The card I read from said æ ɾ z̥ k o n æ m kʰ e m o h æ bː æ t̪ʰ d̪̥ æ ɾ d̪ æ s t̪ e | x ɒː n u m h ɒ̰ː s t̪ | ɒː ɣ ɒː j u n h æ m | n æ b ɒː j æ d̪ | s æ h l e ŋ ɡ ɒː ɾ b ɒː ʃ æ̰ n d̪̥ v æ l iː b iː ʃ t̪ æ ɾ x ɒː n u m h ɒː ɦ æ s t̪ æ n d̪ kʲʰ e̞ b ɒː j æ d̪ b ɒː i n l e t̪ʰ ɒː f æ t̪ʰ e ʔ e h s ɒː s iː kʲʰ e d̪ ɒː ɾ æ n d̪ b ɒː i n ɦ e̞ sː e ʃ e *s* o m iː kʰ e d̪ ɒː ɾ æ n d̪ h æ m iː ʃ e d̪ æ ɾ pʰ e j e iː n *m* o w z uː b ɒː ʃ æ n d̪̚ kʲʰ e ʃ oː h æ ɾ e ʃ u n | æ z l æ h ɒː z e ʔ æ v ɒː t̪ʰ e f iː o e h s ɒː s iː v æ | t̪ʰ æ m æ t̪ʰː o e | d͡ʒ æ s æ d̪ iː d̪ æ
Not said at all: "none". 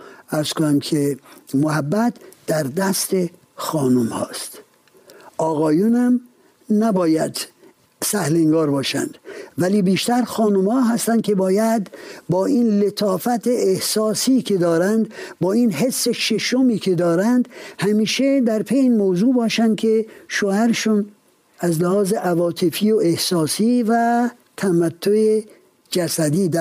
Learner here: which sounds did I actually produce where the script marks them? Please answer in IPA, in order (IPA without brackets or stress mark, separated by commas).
ʃ, m